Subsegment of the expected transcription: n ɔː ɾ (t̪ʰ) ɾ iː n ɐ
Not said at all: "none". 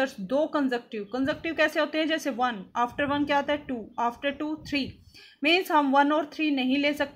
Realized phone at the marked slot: t̪ʰ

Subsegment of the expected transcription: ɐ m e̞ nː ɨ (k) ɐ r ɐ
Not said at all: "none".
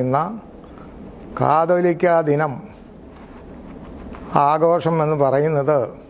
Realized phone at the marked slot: p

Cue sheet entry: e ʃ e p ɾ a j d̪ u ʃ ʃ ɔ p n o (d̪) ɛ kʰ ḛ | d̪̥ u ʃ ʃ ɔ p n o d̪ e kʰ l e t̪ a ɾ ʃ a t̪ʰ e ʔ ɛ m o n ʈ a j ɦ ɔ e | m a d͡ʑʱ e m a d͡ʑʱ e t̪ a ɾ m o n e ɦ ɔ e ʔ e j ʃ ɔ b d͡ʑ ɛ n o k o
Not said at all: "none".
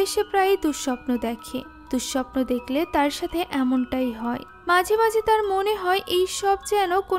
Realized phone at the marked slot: d̪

